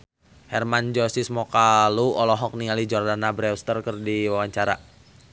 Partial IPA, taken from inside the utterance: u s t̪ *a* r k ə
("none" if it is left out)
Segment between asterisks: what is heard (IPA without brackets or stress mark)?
ə